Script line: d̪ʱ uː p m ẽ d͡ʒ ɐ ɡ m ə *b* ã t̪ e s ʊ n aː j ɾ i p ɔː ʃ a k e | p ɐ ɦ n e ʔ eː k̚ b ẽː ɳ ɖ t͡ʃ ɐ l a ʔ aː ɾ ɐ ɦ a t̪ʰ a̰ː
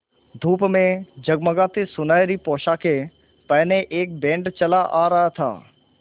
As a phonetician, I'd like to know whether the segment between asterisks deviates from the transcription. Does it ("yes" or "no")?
yes